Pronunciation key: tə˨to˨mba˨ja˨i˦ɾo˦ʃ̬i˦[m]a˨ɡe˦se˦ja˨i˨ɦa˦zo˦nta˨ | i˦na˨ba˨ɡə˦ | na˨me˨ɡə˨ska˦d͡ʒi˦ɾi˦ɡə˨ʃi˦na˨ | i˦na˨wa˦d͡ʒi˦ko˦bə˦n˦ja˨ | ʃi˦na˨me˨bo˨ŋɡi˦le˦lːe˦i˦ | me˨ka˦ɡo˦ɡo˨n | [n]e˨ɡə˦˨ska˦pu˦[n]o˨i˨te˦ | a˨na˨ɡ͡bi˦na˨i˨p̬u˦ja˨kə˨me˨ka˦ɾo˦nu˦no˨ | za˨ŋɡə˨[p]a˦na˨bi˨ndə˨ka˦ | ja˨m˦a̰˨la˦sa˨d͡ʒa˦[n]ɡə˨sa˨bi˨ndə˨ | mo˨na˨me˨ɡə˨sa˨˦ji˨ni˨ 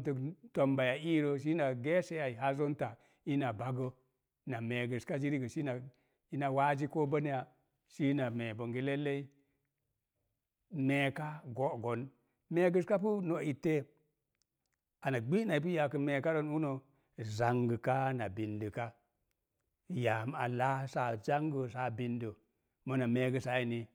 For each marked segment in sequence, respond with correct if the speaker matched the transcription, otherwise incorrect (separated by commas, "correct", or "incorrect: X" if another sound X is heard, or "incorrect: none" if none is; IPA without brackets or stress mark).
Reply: incorrect: n, incorrect: m, correct, incorrect: k, incorrect: ŋ